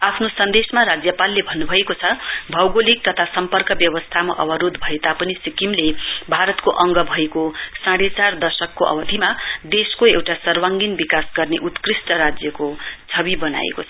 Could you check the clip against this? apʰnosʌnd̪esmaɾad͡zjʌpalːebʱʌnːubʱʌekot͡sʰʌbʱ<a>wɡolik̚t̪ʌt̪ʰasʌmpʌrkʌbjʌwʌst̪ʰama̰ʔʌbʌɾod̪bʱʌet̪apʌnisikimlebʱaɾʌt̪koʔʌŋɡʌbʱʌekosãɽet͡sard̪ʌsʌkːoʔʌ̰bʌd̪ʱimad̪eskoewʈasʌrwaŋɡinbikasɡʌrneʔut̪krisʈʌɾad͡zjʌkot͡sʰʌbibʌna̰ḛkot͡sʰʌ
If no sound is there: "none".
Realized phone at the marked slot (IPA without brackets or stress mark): ʌ